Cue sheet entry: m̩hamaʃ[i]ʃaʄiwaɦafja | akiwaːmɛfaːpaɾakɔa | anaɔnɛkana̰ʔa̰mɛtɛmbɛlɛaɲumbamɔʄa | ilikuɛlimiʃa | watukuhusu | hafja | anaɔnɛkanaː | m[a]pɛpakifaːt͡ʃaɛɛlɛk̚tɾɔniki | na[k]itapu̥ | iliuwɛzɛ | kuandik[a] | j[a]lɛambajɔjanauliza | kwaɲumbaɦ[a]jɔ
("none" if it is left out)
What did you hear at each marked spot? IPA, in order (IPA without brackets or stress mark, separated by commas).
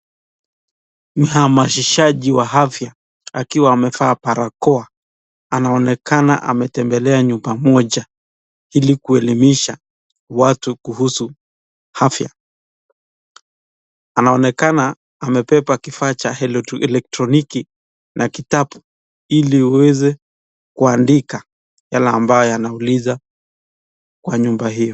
i, ɛ, k, a, a, i